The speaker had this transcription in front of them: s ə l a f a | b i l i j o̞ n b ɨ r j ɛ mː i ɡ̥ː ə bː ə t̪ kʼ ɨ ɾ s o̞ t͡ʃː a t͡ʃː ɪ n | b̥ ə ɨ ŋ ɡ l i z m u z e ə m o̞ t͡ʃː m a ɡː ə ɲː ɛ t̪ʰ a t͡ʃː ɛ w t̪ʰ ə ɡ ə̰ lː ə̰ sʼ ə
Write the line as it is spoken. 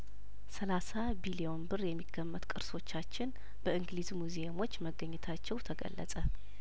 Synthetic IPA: s ə l a s a | b i l i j o̞ n b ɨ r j ɛ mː i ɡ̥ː ə mː ə t̪ kʼ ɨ ɾ s o̞ t͡ʃː a t͡ʃː ɪ n | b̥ ə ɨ ŋ ɡ l i z m u z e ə m o̞ t͡ʃː m ə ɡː ə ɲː ɛ t̪ʰ a t͡ʃː ɛ w t̪ʰ ə ɡ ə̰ lː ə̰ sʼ ə